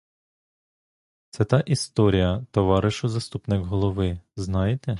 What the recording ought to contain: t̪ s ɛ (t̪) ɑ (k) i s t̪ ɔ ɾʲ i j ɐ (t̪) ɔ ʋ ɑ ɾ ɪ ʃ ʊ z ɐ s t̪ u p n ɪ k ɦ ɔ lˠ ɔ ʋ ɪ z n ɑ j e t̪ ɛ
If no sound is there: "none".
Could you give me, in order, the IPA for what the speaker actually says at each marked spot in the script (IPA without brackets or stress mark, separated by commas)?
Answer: t̪, ʔ, t̪